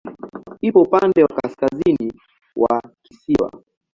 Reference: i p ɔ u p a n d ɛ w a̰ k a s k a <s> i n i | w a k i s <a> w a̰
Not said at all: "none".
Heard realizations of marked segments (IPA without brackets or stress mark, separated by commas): z, i